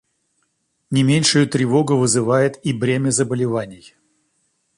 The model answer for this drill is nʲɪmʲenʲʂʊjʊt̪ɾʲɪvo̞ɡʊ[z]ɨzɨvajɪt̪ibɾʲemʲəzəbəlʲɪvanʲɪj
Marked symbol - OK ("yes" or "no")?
no